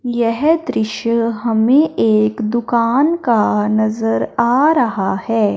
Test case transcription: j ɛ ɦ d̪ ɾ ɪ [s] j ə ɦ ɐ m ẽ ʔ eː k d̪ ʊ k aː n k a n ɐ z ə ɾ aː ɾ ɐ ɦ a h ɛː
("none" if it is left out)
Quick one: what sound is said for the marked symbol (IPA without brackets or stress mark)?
ʃ